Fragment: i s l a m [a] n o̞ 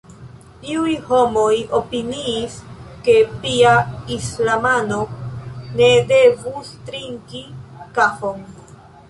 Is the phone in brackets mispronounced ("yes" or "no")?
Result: no